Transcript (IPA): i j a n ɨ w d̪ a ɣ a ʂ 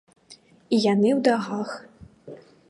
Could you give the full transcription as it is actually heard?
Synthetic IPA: i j a n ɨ w d̪ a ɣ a x